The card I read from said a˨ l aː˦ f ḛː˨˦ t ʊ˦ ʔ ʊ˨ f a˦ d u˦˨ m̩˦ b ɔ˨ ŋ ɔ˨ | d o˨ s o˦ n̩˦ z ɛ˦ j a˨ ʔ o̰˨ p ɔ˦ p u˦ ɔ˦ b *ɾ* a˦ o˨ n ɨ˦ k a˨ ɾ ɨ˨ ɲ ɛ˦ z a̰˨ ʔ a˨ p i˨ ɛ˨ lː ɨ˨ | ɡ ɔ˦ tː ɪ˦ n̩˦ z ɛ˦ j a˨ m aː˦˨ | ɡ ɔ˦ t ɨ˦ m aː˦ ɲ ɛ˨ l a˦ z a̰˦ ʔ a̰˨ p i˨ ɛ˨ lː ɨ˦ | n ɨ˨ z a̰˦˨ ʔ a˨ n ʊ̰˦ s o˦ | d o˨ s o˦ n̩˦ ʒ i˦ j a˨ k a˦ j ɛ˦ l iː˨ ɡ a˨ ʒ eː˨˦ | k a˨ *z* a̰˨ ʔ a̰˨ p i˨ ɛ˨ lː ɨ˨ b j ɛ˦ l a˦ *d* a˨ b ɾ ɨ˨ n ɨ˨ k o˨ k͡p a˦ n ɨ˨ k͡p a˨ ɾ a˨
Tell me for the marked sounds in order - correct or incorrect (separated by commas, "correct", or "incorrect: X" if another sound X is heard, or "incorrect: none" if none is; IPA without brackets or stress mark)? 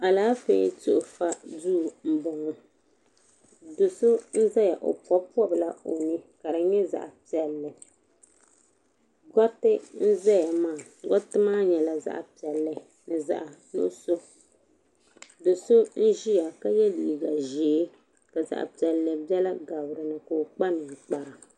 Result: incorrect: l, correct, incorrect: ɡ